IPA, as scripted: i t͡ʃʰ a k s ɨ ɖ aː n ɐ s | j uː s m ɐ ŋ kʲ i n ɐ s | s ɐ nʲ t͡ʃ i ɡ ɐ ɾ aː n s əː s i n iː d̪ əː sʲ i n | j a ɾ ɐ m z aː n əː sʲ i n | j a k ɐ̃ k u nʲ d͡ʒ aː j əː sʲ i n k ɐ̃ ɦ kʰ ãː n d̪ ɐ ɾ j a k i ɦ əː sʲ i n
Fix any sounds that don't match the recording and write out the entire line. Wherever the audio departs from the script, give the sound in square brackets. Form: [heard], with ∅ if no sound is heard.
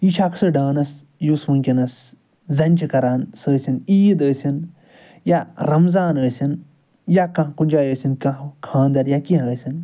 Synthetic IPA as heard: i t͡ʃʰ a k s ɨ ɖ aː n ɐ s | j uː s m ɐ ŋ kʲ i n ɐ s | [z] ɐ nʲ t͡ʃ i [k] ɐ ɾ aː n s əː s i n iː d̪ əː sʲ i n | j a ɾ ɐ m z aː n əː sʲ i n | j a k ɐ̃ k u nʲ d͡ʒ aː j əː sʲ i n k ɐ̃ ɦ kʰ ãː n d̪ ɐ ɾ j a k i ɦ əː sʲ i n